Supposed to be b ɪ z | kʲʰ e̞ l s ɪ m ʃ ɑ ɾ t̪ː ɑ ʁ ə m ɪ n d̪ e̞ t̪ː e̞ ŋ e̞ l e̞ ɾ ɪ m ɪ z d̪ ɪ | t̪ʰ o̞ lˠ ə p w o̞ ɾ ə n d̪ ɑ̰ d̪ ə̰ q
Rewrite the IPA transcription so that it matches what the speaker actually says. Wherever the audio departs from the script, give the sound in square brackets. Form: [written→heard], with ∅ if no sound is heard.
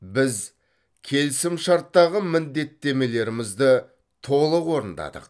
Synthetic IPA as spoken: b ɪ z | kʲʰ e̞ l s ɪ m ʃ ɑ ɾ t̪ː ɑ ʁ ə m ɪ n d̪ e̞ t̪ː e̞ [ŋ→m] e̞ l e̞ ɾ ɪ m ɪ z d̪ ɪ | t̪ʰ o̞ lˠ ə [p→q] w o̞ ɾ ə n d̪ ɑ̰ d̪ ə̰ q